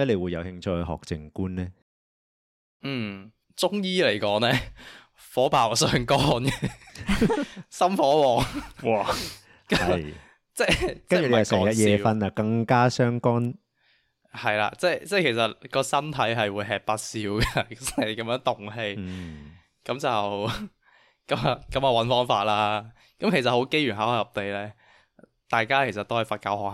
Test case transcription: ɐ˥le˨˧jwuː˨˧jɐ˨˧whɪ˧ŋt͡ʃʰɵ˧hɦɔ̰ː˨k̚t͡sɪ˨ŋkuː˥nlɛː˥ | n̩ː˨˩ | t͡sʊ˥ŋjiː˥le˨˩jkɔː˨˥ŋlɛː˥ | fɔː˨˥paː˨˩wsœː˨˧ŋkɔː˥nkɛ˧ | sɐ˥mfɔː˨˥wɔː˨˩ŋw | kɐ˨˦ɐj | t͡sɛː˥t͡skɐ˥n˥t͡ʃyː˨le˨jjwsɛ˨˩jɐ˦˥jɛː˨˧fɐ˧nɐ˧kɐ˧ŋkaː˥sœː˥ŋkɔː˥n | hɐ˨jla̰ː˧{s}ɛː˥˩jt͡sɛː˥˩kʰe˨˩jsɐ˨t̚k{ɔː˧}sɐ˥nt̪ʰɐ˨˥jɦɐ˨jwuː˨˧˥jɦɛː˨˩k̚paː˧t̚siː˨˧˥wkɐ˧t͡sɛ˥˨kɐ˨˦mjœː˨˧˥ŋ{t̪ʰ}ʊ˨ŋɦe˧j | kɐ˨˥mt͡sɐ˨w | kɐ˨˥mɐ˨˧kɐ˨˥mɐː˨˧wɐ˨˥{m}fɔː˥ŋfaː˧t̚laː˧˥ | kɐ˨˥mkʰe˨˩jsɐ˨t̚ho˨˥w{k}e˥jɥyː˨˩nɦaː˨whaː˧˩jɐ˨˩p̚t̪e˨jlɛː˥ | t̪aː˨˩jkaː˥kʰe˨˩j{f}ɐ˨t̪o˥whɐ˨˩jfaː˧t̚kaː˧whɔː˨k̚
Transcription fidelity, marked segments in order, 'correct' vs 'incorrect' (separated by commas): incorrect, correct, incorrect, incorrect, correct, incorrect